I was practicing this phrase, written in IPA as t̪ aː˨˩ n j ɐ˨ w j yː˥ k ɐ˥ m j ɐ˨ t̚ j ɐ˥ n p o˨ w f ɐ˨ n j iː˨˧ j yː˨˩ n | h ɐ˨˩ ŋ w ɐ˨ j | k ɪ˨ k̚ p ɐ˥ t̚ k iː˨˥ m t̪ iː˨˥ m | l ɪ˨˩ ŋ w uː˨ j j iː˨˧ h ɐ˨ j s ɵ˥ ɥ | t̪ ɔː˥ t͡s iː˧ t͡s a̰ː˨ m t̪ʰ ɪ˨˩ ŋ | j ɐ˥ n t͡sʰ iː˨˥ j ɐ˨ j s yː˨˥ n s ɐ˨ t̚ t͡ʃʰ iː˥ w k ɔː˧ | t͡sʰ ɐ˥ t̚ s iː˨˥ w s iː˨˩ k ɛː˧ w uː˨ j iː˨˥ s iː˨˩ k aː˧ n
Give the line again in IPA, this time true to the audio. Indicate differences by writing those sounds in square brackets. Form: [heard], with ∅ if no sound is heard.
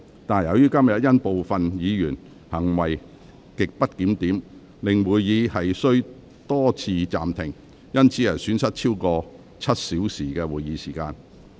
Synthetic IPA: t̪ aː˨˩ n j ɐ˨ w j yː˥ k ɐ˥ m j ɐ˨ t̚ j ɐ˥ n p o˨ w f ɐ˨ n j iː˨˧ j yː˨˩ n | h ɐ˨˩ ŋ w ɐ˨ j | k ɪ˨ k̚ p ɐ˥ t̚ k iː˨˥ m t̪ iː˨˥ m | l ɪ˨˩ ŋ w uː˨ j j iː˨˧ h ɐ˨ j s ɵ˥ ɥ | t̪ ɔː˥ [t͡sʰ] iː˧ t͡s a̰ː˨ m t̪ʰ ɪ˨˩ ŋ | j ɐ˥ n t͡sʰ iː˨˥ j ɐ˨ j s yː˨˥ n s [ɐ˥] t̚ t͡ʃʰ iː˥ w k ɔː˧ | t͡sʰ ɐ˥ t̚ s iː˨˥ w s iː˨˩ k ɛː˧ w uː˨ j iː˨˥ s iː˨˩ k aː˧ n